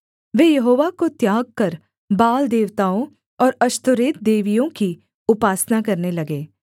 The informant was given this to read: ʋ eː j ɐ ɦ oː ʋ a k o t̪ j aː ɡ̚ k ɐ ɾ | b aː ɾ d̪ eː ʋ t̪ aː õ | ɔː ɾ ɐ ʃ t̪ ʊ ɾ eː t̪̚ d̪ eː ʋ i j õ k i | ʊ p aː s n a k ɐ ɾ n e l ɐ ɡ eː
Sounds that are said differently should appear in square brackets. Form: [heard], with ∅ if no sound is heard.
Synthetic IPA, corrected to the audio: ʋ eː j ɐ ɦ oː ʋ a k o t̪ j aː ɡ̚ k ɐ ɾ | b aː [l] d̪ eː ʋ t̪ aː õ | ɔː ɾ ɐ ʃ t̪ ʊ ɾ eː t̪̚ d̪ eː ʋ i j õ k i | ʊ p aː s n a k ɐ ɾ n e l ɐ ɡ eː